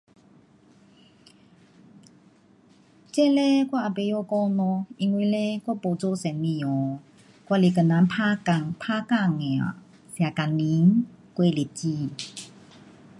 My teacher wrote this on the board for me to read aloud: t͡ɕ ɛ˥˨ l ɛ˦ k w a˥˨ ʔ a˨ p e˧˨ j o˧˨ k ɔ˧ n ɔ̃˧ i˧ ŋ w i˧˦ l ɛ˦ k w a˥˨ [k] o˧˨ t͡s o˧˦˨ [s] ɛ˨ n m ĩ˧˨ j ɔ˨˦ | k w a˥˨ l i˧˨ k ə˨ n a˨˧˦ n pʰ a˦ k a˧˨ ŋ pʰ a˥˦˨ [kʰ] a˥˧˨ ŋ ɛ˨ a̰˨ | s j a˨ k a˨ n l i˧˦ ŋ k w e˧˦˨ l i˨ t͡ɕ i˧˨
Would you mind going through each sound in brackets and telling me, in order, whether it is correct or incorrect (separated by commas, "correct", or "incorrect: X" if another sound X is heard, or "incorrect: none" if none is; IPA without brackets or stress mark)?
incorrect: p, correct, incorrect: k